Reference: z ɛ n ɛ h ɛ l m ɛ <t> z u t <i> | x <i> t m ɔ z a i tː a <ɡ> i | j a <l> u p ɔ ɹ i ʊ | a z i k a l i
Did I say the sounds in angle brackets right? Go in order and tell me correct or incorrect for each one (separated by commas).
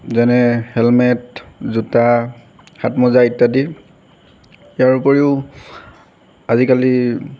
correct, incorrect, incorrect, incorrect, incorrect